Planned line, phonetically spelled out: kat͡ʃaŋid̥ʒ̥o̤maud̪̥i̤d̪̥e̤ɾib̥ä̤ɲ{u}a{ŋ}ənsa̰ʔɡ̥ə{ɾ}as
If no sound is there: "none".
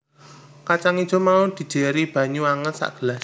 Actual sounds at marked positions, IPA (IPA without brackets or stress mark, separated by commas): u, ŋ, l